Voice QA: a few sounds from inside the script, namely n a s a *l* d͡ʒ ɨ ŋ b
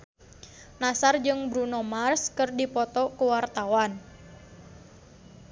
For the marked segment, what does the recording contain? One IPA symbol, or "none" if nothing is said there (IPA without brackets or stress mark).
r